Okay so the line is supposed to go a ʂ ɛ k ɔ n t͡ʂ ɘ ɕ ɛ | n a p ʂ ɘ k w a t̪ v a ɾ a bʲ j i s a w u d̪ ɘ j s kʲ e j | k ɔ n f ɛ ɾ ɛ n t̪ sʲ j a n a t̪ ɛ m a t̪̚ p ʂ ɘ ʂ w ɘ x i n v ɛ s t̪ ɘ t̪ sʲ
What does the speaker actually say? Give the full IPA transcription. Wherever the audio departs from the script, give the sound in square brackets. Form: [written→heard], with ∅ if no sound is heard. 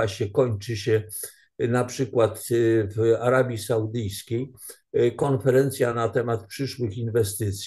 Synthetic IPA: a [ʂ→ɕ] ɛ k ɔ [n→ɲ] t͡ʂ ɘ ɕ ɛ | n a p ʂ ɘ k w a t̪ v a ɾ a bʲ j i s a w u d̪ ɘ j s kʲ e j | k ɔ n f ɛ ɾ ɛ n t̪ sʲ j a n a t̪ ɛ m a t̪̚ p ʂ ɘ ʂ w ɘ x i n v ɛ s t̪ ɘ t̪ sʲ